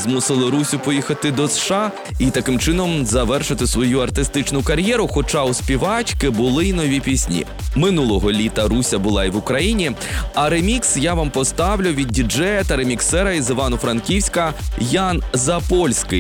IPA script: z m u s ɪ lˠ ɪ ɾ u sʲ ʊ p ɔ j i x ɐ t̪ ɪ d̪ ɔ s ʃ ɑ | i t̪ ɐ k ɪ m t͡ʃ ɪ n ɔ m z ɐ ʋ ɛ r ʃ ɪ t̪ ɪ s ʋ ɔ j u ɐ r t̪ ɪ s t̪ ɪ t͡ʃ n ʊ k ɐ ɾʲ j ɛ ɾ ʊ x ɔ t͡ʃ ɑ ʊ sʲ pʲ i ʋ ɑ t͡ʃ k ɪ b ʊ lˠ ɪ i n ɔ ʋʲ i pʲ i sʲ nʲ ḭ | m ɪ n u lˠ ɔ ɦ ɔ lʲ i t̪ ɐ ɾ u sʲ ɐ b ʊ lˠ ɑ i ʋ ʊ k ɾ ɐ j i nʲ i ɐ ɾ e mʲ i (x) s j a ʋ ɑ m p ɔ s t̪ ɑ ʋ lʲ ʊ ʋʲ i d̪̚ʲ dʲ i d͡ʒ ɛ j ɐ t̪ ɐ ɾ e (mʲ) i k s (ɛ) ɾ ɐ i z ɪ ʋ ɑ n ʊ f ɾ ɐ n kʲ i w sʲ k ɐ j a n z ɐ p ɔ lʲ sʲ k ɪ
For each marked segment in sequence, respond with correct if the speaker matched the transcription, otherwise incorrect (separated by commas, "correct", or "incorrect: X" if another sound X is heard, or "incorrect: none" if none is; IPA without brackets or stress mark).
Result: incorrect: k, correct, correct